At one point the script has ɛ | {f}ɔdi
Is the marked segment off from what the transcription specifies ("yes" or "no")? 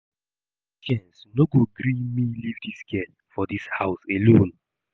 no